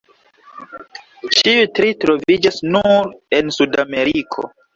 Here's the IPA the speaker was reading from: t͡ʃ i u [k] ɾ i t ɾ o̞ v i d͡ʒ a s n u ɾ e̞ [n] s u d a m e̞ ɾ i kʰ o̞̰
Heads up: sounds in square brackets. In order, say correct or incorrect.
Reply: incorrect, correct

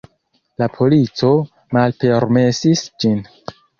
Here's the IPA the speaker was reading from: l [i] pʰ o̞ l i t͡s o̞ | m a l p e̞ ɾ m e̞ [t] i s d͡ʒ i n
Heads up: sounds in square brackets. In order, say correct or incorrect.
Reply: incorrect, incorrect

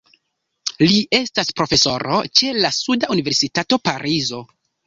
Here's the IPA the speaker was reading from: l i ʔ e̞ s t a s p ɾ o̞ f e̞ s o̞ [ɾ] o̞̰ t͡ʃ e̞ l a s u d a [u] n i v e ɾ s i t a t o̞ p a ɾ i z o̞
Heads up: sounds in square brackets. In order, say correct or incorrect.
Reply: correct, correct

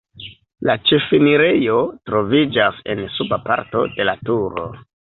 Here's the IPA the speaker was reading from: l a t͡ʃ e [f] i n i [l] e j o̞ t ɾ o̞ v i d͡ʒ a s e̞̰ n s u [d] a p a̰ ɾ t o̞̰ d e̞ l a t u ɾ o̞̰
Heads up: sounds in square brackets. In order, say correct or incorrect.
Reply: correct, incorrect, incorrect

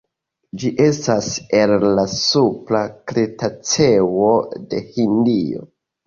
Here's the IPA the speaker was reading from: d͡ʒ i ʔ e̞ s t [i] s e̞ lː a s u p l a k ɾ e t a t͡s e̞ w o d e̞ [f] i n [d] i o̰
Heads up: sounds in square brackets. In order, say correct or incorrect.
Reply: incorrect, incorrect, correct

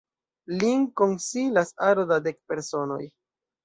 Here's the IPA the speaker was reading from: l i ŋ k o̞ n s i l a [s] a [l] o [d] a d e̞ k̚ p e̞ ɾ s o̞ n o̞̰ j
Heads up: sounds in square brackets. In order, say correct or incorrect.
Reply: correct, incorrect, correct

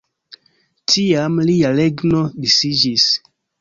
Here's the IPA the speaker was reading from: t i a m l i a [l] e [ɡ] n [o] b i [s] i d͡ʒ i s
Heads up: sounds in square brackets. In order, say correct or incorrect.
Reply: correct, correct, correct, correct

